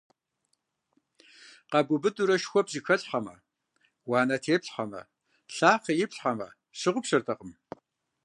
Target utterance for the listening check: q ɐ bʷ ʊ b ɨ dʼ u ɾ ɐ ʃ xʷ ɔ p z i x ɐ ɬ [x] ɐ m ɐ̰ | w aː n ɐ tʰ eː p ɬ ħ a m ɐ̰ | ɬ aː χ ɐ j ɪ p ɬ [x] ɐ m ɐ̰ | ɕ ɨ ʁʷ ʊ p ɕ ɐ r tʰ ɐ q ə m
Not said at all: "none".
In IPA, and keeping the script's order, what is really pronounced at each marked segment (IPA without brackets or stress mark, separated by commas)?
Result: ħ, ħ